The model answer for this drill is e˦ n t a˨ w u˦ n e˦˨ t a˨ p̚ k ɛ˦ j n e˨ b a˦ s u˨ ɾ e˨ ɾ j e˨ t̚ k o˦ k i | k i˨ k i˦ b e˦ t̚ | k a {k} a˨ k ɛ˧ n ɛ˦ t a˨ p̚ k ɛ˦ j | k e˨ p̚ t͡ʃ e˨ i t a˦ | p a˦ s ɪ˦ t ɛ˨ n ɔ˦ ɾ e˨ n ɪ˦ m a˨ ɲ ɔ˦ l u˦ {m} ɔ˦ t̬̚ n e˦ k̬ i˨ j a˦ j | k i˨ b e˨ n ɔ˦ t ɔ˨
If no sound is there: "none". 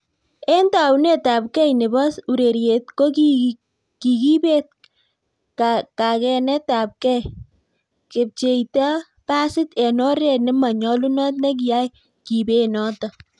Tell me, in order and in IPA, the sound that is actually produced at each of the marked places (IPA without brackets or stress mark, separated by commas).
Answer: k, n